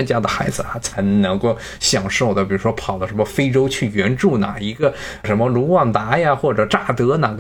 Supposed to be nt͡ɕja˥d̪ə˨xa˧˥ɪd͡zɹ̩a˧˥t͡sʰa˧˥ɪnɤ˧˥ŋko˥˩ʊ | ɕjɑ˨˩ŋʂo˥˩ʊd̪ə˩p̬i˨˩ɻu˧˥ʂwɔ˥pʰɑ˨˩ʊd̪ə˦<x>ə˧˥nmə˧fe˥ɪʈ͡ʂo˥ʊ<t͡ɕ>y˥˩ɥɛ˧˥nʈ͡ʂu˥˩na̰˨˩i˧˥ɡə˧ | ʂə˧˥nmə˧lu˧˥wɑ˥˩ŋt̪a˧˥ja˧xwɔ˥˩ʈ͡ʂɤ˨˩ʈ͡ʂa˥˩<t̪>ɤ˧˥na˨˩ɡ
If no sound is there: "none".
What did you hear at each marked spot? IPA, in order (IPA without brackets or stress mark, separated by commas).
ʂ, t͡ɕʰ, t̪